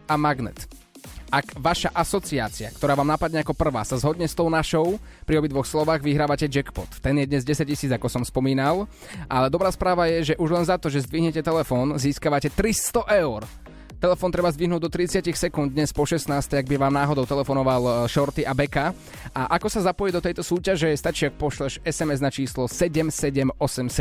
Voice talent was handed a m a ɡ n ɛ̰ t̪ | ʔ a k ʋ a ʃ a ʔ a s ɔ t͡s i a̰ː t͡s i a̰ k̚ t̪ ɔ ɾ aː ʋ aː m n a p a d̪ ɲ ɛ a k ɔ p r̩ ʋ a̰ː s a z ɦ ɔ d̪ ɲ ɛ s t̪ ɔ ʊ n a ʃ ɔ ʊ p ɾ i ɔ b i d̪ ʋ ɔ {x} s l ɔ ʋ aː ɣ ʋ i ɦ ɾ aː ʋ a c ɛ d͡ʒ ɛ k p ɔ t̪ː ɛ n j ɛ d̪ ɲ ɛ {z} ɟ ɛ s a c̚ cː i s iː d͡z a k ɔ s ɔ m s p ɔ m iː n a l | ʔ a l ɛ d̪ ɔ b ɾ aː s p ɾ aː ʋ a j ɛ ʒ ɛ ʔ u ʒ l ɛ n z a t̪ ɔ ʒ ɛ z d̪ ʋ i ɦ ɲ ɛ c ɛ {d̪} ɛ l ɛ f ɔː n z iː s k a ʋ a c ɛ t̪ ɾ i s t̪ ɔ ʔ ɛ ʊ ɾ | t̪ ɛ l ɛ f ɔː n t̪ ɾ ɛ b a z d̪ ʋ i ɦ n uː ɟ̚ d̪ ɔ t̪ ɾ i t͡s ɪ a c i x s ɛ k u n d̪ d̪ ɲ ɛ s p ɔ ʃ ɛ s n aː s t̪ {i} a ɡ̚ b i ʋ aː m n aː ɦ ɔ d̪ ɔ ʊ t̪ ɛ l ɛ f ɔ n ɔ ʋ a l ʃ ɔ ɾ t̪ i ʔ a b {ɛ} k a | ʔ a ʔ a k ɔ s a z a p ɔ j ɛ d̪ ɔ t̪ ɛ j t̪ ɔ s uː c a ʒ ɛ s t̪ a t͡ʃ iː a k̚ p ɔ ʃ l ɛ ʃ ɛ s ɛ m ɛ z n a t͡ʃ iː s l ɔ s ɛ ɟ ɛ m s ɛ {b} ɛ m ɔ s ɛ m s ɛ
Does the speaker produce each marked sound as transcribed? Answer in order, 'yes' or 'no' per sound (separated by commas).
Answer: yes, yes, no, no, yes, no